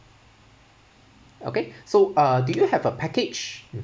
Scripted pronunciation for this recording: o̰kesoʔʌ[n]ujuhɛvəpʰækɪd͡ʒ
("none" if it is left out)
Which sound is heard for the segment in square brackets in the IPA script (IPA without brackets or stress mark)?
d